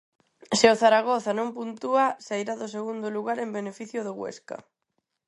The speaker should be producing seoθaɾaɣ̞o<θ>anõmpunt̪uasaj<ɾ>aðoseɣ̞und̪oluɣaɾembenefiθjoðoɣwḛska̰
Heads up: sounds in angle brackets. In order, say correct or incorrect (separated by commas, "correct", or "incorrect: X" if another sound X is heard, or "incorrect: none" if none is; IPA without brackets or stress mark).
correct, correct